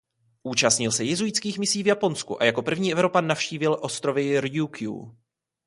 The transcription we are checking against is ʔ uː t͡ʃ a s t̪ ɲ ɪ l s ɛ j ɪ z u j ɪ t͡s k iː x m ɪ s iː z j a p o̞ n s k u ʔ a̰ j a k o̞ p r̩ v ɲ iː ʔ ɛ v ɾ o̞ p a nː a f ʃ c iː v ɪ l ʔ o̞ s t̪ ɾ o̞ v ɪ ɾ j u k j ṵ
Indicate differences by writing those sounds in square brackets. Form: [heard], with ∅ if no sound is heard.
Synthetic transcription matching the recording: ʔ uː t͡ʃ a s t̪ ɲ ɪ l s ɛ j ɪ z u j ɪ t͡s k iː x m ɪ s iː [v] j a p o̞ n s k u ʔ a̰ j a k o̞ p r̩ v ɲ iː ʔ ɛ v ɾ o̞ p a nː a f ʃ c iː v ɪ l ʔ o̞ s t̪ ɾ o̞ v ɪ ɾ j u k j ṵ